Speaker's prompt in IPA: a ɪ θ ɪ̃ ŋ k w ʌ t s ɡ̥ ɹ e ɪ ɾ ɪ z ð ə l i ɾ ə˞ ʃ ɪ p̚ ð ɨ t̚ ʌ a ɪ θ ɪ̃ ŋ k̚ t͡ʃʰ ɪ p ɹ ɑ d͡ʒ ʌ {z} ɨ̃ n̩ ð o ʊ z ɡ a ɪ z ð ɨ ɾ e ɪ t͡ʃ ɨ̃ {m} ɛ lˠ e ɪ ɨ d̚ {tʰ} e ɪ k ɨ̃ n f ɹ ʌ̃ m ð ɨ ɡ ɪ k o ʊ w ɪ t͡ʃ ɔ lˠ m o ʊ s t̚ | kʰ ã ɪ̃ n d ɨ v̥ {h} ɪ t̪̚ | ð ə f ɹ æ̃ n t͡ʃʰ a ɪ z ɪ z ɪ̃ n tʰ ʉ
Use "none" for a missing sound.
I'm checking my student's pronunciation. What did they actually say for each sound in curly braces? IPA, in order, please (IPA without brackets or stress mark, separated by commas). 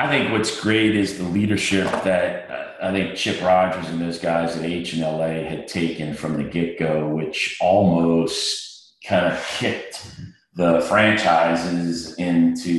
z, n, tʰ, h